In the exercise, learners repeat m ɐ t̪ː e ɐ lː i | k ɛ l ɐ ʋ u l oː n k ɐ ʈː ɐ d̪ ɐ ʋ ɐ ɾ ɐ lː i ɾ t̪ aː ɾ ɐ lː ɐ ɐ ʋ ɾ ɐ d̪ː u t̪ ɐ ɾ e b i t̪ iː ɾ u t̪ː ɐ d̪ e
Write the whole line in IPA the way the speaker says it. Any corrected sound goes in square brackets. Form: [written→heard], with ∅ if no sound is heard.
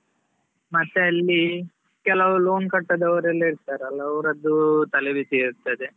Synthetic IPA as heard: m ɐ t̪ː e ɐ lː i | k ɛ l ɐ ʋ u l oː n k ɐ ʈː ɐ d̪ ɐ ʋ ɐ ɾ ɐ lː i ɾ t̪ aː ɾ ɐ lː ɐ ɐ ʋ ɾ ɐ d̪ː u t̪ ɐ [ɾ→l] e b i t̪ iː ɾ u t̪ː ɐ d̪ e